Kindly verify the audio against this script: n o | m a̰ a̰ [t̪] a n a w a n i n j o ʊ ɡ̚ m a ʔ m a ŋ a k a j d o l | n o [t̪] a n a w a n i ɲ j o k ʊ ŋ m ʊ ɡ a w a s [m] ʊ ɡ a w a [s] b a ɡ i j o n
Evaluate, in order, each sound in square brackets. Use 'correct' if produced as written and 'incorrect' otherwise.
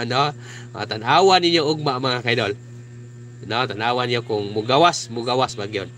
correct, correct, correct, correct

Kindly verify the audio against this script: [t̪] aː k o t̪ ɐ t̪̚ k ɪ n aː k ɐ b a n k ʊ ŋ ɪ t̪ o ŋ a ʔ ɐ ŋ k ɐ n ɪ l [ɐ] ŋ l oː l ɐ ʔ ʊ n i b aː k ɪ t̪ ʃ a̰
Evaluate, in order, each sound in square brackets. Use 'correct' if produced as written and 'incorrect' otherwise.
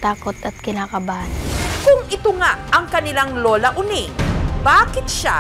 correct, incorrect: a

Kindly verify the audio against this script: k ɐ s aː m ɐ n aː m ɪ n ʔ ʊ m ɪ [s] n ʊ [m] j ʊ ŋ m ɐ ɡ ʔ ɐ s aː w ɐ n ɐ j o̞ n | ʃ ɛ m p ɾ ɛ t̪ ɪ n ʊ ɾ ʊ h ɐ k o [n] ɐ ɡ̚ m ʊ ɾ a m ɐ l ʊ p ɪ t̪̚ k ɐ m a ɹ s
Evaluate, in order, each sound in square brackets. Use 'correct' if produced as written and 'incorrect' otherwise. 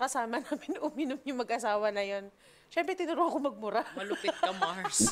incorrect: none, correct, incorrect: m

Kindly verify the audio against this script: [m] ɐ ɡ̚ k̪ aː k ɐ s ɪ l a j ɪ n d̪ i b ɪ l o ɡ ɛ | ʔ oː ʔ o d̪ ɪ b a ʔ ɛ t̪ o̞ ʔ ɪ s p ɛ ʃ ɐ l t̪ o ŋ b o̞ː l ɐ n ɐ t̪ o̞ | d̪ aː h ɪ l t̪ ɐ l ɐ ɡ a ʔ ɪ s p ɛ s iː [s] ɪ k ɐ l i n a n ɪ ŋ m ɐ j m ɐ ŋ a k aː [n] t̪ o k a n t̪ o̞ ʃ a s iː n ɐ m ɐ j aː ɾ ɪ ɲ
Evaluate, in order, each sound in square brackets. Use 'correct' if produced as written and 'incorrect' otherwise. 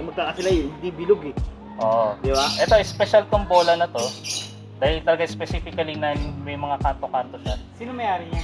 correct, incorrect: f, correct

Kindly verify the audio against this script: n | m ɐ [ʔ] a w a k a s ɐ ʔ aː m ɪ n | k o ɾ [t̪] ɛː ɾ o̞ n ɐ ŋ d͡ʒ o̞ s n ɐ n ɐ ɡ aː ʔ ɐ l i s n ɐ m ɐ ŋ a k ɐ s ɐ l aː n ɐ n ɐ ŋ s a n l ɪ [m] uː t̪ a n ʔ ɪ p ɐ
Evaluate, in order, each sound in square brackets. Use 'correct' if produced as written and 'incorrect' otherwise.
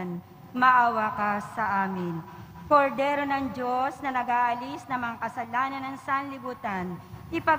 correct, incorrect: d̪, incorrect: b

